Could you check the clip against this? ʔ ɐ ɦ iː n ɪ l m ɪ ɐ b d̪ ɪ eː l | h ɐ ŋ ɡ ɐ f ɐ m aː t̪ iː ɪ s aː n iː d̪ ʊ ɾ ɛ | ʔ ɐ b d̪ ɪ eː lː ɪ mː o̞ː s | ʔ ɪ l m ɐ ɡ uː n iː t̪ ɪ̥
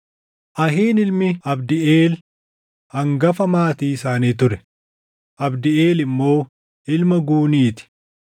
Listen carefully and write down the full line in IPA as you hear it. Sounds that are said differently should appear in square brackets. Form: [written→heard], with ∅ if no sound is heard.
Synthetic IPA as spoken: ʔ ɐ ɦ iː n ɪ l m ɪ ɐ b d̪ ɪ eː l | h ɐ ŋ ɡ ɐ f ɐ m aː t̪ iː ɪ s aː n iː [d̪→t̪] ʊ ɾ ɛ | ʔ ɐ b d̪ ɪ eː [lː→l] ɪ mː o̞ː [s→∅] | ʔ ɪ l m ɐ ɡ uː n iː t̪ ɪ̥